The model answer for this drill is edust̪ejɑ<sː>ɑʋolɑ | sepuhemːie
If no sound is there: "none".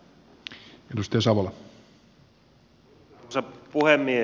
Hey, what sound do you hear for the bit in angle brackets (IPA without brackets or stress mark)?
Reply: s